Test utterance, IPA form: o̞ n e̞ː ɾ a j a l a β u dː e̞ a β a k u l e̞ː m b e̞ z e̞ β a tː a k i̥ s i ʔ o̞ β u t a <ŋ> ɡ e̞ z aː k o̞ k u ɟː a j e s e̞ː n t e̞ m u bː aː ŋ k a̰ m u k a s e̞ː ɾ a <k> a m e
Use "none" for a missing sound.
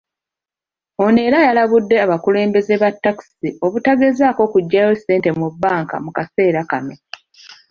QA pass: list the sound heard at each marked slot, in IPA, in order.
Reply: none, k

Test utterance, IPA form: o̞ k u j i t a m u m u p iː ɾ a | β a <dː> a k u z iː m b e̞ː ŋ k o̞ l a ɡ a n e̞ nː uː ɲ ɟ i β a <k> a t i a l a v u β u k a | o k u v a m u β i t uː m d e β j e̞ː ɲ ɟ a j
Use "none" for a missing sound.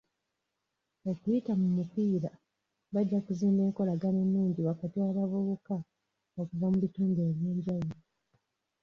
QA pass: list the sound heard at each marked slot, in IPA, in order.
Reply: ɟː, k

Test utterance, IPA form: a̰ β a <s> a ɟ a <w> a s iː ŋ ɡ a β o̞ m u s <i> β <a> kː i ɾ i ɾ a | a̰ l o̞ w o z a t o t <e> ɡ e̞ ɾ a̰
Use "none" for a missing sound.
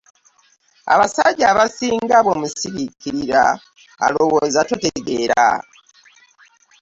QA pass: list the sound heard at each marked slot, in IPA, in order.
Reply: s, β, i, i, e

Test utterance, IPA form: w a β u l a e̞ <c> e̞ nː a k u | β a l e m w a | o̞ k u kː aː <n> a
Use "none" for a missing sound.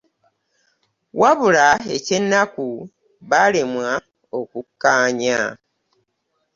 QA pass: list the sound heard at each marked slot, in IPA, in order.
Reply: c, ɲ

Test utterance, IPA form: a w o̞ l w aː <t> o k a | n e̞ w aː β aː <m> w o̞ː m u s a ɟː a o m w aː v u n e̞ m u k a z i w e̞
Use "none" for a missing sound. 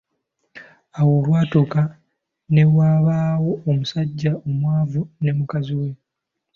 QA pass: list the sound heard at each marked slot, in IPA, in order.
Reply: t, none

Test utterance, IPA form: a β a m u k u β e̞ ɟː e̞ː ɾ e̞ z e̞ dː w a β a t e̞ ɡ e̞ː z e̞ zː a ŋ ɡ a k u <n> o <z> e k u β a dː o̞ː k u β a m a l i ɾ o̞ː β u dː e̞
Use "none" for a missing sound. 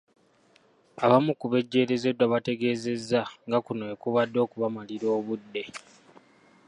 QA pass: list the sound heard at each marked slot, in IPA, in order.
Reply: n, none

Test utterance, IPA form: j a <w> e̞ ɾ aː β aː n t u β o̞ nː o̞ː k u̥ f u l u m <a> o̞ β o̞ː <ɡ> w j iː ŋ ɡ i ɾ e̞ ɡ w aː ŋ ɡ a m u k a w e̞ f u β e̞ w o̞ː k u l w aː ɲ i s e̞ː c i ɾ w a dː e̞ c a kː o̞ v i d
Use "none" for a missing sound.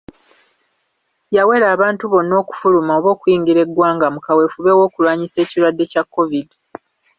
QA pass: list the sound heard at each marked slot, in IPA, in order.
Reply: w, a, k

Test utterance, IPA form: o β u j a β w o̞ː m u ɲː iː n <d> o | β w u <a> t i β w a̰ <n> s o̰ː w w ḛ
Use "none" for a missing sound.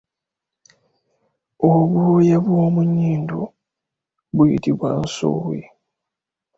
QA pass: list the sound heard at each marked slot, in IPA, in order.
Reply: d, i, n

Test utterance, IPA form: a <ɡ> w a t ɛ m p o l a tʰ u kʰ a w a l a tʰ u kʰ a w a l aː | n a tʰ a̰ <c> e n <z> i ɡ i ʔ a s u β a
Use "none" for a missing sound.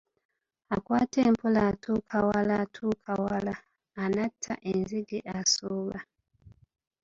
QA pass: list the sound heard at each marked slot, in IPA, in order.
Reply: k, ʔ, z

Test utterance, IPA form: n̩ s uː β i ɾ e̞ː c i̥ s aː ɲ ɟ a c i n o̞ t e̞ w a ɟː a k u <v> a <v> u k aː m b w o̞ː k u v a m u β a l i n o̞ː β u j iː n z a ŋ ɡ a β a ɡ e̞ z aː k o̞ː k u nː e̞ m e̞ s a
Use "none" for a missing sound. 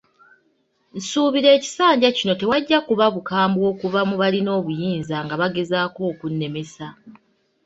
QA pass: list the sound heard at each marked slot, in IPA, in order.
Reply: β, β

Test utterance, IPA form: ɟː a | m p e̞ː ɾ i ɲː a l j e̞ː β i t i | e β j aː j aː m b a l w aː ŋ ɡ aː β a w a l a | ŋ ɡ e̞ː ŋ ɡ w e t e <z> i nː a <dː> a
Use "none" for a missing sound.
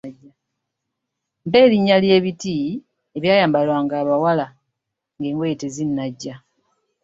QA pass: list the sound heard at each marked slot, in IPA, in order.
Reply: z, ɟː

